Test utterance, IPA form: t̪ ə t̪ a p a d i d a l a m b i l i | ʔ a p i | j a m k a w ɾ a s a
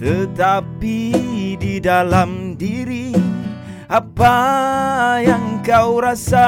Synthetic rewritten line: t̪ ə t̪ a p i d i d a l a m d i ɾ i | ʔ a p a | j a ŋ k a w ɾ a s a